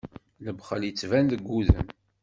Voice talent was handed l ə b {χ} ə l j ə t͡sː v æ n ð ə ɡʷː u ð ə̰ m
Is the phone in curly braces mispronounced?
no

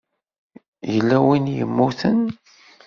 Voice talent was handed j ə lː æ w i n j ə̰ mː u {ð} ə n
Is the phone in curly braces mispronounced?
yes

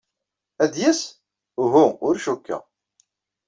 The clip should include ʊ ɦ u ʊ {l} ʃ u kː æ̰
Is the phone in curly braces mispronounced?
yes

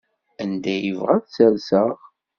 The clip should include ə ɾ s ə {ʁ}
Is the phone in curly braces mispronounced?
no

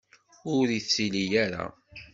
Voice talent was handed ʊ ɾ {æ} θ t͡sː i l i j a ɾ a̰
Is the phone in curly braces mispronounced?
yes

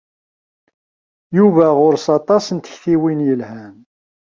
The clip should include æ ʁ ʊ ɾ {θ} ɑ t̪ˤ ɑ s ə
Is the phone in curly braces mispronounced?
yes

